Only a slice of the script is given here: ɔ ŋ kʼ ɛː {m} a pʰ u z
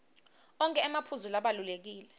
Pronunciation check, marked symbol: correct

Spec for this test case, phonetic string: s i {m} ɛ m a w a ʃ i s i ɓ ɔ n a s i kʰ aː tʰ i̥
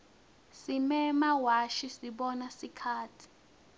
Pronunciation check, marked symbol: correct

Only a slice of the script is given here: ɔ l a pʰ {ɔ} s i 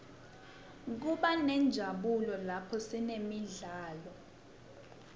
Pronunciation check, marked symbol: correct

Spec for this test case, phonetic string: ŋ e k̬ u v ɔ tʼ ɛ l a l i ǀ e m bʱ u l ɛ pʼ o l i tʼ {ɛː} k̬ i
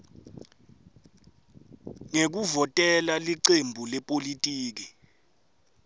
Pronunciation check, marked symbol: incorrect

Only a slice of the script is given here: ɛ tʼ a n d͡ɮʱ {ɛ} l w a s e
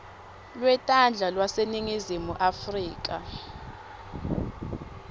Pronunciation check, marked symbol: incorrect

